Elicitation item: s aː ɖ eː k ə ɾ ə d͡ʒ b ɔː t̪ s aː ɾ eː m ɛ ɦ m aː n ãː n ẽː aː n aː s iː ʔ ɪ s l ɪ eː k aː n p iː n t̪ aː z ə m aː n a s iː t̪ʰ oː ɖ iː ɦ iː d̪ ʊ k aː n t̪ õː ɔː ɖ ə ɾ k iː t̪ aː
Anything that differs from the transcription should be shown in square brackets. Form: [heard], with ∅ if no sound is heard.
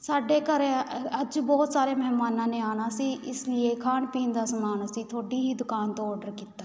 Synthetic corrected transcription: s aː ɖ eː k ə ɾ ə d͡ʒ b ɔː t̪ s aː ɾ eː m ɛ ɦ m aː n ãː n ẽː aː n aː s iː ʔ ɪ s l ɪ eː [kʰ] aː n p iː n [d̪] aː [s] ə m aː n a s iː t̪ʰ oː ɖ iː ɦ iː d̪ ʊ k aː n t̪ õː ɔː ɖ ə ɾ k iː t̪ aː